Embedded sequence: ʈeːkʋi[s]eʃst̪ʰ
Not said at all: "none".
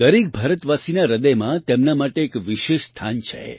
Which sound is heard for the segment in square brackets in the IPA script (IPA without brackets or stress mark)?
ʃ